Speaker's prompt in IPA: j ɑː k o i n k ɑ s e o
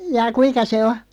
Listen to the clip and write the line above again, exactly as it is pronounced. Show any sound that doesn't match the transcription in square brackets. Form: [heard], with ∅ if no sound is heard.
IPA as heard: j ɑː k [u] i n k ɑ s e o

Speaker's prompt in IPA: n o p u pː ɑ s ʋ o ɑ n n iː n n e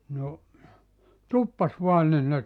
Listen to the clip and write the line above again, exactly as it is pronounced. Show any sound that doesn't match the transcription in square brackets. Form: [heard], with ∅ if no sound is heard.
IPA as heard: n o [t] u pː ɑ s ʋ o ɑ n n [i] n n e

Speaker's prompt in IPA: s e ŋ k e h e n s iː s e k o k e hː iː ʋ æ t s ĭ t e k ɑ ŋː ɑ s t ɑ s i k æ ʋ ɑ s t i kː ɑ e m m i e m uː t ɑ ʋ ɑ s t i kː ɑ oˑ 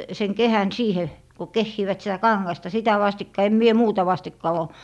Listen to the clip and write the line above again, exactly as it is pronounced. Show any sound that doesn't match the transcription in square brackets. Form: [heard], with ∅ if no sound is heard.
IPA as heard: s e ŋ k e h [æ] n s iː [h] e k o k e hː iː ʋ æ t s ĭ t [æ] k ɑ ŋː ɑ s t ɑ s i [t] æ ʋ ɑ s t i kː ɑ e m m i e m uː t ɑ ʋ ɑ s t i kː ɑ oˑ

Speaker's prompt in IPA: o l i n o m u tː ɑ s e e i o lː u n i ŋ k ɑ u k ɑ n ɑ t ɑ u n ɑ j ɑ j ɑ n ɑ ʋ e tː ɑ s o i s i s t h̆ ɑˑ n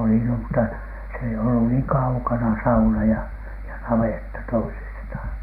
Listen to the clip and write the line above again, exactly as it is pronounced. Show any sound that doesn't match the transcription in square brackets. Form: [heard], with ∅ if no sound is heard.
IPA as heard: o l i n o m u tː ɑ s e e i o lː u n [iː] ŋ k ɑ u k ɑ n ɑ [s] ɑ u n ɑ j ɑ j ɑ n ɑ ʋ e tː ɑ [t] o i s i s t h̆ ɑˑ n

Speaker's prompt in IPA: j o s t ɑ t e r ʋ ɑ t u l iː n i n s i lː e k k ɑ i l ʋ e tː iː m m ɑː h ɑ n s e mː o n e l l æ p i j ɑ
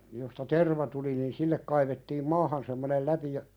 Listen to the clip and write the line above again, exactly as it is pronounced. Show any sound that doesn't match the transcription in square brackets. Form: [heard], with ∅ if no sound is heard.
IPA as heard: j o s t ɑ t e r ʋ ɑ t u l [i] n i n s i lː e k k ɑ i [∅] ʋ e tː iː m m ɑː h ɑ n s e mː o n e l l æ p i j ɑ

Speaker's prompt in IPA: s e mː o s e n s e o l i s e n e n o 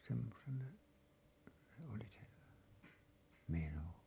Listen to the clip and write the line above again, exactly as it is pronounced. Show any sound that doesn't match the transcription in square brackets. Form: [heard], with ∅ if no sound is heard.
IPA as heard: s e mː o s e n s e o l i s e [m] e n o

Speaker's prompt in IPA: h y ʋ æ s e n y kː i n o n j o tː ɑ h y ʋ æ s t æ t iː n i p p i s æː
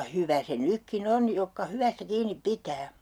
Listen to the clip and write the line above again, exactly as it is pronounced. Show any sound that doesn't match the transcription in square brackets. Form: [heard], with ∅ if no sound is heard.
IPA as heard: h y ʋ æ s e n y kː i n o n j o [kː] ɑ h y ʋ æ s t æ [k] iː n i p p i [t] æː

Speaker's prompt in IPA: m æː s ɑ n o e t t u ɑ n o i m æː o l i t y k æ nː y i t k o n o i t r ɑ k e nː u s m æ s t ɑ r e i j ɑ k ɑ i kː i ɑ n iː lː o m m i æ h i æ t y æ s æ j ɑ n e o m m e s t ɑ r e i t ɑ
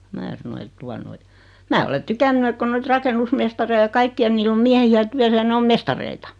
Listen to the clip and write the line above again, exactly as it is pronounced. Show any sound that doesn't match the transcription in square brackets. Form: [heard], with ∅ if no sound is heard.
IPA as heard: m æː s ɑ n o e t t u ɑ n o i m æː o l [e] t y k æ nː y [e] t k o n o i t r ɑ k e nː u s m [e] s t ɑ r e i j ɑ k ɑ i kː i ɑ n iː lː o m m i æ h i æ t y æ s æ j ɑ n e o m m e s t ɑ r e i t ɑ

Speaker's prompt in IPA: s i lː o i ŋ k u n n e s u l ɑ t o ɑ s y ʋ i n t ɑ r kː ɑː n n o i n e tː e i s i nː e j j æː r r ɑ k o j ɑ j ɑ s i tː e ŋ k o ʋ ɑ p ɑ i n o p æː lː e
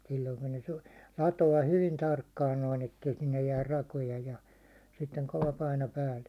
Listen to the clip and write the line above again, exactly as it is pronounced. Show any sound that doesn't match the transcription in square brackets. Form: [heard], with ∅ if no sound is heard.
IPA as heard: s i lː o i ŋ k u n n e s u l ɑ t o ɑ [h] y ʋ i n t ɑ r kː ɑː n n o i n e tː e i s i nː e j j æː r r ɑ k o j ɑ j ɑ s i tː e ŋ k o ʋ ɑ p ɑ i n o p æː lː e

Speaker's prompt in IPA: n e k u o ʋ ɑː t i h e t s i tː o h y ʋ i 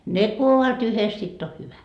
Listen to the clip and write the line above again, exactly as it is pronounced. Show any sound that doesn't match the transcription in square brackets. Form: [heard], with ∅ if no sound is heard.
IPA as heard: n e k u o ʋ [ɑ] t [y] h e [s] s i tː o h y ʋ [æ]

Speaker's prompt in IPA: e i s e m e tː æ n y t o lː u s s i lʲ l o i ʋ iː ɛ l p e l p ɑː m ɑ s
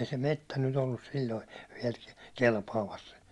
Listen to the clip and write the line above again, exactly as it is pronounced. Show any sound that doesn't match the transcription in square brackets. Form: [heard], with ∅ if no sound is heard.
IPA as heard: e i s e m e tː æ n y t o lː u s s i lʲ l o i ʋ [i] ɛ l [k] e l p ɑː m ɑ s

